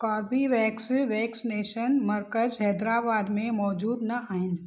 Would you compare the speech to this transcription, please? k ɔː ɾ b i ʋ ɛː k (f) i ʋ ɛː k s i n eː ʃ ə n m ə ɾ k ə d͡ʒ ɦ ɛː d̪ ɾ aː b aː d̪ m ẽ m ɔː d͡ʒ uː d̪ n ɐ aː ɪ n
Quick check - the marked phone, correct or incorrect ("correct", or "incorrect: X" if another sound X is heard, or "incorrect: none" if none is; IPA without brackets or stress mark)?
incorrect: s